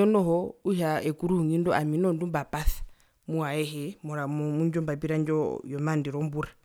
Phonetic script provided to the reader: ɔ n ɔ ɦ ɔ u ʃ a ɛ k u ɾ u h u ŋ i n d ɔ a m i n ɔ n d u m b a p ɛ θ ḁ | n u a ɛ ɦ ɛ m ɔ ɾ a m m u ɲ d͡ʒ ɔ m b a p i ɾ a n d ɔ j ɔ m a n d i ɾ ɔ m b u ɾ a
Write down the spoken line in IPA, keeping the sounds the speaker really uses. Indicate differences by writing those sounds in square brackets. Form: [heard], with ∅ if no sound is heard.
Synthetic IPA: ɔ n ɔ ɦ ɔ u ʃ a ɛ k u ɾ u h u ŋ i n d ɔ a m i n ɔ n d u m b a p [a] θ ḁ | [m] u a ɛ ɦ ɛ m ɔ ɾ a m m u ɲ d͡ʒ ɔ m b a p i ɾ a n [d͡ʒ] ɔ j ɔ m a n d i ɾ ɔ m b u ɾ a

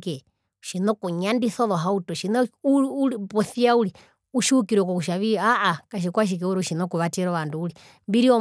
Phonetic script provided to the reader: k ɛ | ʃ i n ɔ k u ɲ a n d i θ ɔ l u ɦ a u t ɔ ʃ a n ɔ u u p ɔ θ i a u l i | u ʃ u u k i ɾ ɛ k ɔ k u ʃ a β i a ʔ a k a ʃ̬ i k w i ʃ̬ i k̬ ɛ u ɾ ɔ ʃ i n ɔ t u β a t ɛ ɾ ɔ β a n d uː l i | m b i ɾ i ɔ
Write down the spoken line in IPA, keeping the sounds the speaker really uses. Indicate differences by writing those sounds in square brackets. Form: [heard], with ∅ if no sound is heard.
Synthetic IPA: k ɛ | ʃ i n ɔ k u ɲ a n d i θ ɔ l [ɔ] ɦ a u t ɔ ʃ [i] n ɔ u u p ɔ θ i a u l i | u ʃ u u k i ɾ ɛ k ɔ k u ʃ a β i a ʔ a k a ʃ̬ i k w [a] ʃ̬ i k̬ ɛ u ɾ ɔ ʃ i n ɔ [k] u β a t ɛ ɾ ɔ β a n d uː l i | m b i ɾ i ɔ

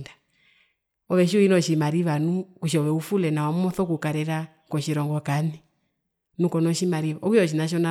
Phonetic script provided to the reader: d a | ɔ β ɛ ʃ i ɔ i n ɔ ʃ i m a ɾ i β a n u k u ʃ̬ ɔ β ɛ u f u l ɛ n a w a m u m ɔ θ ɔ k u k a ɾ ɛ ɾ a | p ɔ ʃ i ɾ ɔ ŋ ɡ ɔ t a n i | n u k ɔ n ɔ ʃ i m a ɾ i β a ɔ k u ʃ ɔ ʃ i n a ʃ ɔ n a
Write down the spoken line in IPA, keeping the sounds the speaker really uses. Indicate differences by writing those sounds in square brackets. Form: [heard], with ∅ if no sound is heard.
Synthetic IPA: d a | ɔ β ɛ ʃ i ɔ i n ɔ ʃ i m a ɾ i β a n u k u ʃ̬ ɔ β ɛ u f u l ɛ n a w a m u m ɔ θ ɔ k u k a ɾ ɛ ɾ a | [k] ɔ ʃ i ɾ ɔ ŋ ɡ ɔ [k] a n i | n u k ɔ n ɔ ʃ i m a ɾ i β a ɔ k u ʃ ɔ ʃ i n a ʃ ɔ n a

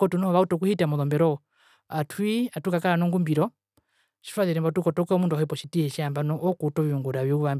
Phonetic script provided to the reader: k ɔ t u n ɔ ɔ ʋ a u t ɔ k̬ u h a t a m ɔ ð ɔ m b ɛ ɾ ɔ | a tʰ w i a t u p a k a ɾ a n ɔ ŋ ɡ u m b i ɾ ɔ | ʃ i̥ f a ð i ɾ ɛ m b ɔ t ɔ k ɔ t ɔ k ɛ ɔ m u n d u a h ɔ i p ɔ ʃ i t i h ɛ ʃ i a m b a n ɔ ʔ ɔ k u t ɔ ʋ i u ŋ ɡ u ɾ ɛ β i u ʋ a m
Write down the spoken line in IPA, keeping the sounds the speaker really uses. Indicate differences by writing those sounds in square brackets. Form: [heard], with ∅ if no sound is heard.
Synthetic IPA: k ɔ t u n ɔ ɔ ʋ a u t ɔ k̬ u h [i] t a m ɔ ð ɔ m b ɛ ɾ ɔ | a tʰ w i a t u [k] a k a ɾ a n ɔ ŋ ɡ u m b i ɾ ɔ | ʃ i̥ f a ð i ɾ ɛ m b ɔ t [u] k ɔ t ɔ k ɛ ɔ m u n d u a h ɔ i p ɔ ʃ i t i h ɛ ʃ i a m b a n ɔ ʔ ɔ k u t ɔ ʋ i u ŋ ɡ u ɾ [a] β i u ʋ a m

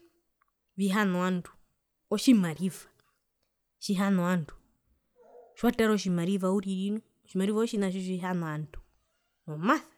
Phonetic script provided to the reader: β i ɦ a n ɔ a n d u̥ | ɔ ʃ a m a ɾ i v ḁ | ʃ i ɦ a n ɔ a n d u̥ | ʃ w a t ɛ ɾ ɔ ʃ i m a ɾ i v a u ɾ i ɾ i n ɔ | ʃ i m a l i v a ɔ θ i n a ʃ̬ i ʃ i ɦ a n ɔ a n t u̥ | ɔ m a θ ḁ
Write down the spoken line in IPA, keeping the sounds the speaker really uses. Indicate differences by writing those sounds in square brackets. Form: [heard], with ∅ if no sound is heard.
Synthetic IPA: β i ɦ a n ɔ a n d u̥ | ɔ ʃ [i] m a ɾ i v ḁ | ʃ i ɦ a n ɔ a n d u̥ | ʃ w a t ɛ ɾ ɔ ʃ i m a ɾ i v a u ɾ i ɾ i n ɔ | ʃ i m a [ɾ] i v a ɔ [ʃ] i n a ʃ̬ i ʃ i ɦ a n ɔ a n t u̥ | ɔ m a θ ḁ

